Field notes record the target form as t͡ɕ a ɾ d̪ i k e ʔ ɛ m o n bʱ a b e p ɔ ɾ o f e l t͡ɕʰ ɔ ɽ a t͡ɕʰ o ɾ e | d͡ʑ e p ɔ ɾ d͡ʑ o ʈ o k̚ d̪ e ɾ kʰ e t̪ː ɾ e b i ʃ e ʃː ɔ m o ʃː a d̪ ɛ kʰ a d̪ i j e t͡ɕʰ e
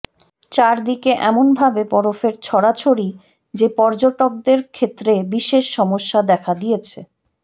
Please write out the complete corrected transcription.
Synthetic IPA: t͡ɕ a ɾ d̪ i k e ʔ ɛ m o n bʱ a b e p ɔ ɾ o f e ɾ t͡ɕʰ ɔ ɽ a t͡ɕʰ o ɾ i | d͡ʑ e p ɔ ɾ d͡ʑ o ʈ o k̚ d̪ e ɾ kʰ e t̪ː ɾ e b i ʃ e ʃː ɔ m o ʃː a d̪ ɛ kʰ a d̪ i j e t͡ɕʰ e